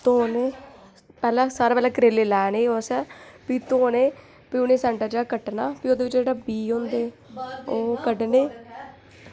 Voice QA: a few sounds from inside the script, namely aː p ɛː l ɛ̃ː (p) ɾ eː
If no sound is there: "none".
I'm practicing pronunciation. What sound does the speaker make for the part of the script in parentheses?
k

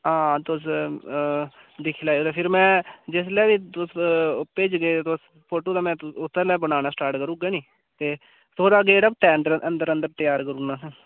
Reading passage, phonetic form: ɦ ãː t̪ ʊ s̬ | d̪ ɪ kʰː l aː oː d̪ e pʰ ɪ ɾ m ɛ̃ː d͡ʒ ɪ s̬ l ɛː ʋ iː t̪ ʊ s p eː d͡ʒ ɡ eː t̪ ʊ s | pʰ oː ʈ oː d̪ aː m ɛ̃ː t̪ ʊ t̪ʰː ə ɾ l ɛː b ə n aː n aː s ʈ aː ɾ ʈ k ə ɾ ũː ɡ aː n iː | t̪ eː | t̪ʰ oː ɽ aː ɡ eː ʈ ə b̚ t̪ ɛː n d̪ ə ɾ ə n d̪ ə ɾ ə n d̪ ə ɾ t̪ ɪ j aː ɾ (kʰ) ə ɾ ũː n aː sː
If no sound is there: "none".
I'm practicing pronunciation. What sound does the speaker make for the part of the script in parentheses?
k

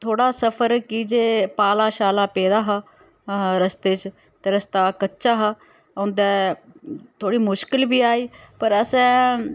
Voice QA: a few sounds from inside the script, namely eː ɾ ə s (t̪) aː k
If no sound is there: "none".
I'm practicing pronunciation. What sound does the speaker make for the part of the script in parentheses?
t̪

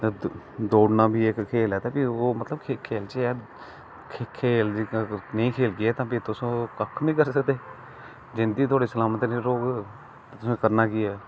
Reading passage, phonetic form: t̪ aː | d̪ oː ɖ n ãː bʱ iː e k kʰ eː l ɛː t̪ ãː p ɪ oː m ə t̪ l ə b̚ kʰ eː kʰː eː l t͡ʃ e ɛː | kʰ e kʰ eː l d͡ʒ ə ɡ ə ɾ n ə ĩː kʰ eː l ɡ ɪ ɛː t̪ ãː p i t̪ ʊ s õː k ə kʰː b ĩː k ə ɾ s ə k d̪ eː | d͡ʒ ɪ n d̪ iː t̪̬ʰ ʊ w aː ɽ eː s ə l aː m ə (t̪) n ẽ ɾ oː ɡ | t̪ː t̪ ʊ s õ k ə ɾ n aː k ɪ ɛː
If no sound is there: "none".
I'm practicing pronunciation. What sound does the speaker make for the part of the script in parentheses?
t̪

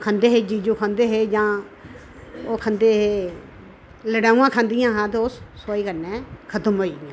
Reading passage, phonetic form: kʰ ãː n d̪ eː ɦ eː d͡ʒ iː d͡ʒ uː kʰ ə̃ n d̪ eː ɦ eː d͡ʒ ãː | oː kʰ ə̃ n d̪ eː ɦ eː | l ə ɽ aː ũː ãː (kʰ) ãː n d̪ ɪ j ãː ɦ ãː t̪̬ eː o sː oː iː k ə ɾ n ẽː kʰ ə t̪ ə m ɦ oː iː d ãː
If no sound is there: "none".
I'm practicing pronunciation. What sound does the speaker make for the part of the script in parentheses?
kʰ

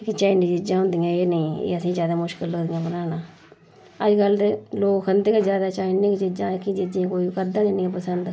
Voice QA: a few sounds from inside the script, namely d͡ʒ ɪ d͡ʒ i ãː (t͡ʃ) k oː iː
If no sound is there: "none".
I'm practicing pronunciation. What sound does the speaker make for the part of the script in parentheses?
none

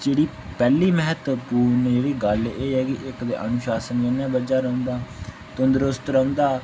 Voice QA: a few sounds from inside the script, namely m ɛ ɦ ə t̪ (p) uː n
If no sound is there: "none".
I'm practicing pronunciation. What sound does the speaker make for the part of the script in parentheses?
p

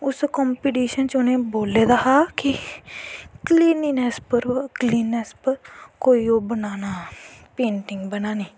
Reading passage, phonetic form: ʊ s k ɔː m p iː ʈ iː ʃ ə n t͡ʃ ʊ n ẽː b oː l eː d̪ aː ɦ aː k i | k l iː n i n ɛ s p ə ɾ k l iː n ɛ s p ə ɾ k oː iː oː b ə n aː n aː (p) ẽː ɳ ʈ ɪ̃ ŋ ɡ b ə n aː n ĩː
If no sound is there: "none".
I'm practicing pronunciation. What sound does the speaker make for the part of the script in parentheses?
p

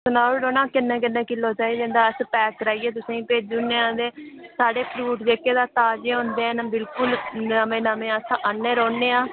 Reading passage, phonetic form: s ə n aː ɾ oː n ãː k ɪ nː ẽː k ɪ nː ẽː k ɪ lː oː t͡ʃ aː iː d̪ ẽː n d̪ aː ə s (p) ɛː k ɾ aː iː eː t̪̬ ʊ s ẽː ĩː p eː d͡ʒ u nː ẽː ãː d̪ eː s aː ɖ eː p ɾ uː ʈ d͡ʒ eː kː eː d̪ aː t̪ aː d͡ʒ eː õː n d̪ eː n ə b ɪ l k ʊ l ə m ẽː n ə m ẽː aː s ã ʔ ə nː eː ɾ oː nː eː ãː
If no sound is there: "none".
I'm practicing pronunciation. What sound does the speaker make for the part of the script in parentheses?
p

